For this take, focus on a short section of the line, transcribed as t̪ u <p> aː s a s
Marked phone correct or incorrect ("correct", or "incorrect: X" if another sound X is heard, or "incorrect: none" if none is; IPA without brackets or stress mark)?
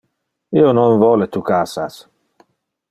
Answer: incorrect: k